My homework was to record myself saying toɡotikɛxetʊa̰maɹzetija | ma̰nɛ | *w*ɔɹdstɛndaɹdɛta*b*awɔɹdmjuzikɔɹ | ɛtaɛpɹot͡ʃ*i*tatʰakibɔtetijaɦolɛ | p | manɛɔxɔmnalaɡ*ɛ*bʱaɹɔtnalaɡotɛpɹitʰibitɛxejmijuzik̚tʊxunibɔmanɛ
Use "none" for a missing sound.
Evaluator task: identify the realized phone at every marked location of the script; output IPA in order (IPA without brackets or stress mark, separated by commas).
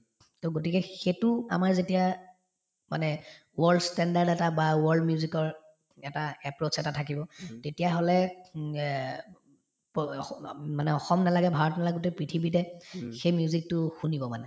w, b, ɛ, ɛ